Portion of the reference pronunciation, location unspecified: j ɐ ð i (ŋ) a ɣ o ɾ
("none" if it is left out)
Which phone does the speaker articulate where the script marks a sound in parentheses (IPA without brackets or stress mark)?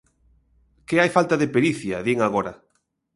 ŋ